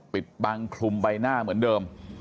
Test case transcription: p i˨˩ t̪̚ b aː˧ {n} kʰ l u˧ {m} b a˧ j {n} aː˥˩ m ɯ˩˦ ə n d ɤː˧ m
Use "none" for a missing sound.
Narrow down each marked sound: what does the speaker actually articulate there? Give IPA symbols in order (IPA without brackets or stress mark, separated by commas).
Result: ŋ, m, n